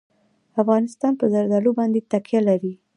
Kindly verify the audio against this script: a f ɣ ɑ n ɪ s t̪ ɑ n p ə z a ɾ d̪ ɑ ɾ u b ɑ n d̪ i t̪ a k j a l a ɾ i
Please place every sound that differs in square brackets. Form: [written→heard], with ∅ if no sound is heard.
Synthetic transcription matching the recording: a f ɣ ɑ n ɪ s t̪ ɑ n p ə z a ɾ d̪ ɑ [ɾ→l] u b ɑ n d̪ [i→e] t̪ a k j a l a ɾ i